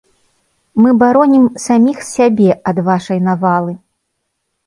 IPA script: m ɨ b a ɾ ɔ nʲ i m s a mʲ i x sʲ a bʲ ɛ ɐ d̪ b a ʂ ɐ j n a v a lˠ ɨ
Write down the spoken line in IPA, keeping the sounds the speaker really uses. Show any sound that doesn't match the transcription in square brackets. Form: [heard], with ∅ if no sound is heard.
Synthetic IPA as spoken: m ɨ b a ɾ ɔ nʲ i m s a mʲ i x sʲ a bʲ ɛ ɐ d̪ [v] a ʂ ɐ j n a v a lˠ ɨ